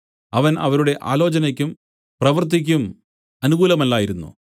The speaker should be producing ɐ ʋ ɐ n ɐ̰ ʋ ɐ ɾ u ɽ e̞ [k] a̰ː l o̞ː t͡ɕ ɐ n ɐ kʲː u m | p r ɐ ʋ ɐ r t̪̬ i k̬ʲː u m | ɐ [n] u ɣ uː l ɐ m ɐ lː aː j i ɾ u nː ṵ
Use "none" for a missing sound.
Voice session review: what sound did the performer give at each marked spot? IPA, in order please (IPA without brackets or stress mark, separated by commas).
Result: ʔ, n